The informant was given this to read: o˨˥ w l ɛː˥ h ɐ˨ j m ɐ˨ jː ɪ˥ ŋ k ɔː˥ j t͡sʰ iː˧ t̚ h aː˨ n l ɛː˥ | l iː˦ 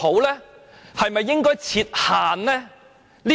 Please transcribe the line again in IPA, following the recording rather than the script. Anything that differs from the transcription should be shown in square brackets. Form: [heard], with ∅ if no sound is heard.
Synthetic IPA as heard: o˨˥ w l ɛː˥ h ɐ˨ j m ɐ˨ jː ɪ˥ ŋ k ɔː˥ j t͡sʰ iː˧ t̚ h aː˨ n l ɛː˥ | l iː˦